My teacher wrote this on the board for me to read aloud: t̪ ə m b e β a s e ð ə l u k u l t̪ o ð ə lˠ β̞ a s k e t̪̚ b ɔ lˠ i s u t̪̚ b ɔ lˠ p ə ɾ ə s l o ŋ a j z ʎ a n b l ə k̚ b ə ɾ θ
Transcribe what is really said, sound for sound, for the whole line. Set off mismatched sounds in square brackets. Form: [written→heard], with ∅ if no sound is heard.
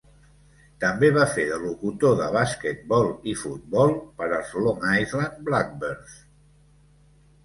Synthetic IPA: t̪ ə m b e β a [s→f] e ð ə l u k u [l→∅] t̪ o ð ə [lˠ→∅] β̞ a s k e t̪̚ b ɔ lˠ i [s→f] u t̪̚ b ɔ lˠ p ə ɾ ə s l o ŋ a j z [ʎ→l] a n b l [ə→a] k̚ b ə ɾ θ

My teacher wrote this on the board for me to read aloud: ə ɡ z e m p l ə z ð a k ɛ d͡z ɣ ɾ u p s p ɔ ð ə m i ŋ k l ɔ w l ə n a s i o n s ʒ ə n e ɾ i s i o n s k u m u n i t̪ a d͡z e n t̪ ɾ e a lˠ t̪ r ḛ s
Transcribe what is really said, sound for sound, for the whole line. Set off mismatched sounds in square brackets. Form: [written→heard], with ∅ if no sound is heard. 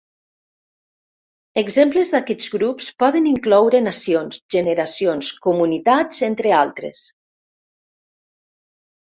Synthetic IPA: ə ɡ z e m p l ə z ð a k ɛ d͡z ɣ ɾ u p s p ɔ ð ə [m→n] i ŋ k l ɔ w [l→ɾ] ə n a s i o n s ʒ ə n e ɾ [i→a] s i o n s k u m u n i t̪ a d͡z e n t̪ ɾ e a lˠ t̪ [r→ɾ] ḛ s

